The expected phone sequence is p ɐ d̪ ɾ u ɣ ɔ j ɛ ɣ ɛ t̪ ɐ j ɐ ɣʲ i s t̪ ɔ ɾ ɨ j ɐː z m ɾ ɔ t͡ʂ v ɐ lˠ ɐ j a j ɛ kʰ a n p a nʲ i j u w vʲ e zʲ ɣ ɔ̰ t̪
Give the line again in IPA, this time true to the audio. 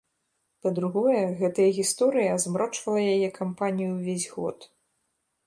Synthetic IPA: p ɐ d̪ ɾ u ɣ ɔ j ɛ ɣ ɛ t̪ ɐ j ɐ ɣʲ i s t̪ ɔ ɾ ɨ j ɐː z m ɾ ɔ t͡ʂ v ɐ lˠ ɐ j a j ɛ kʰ a m p a nʲ i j u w vʲ e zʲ ɣ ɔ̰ t̪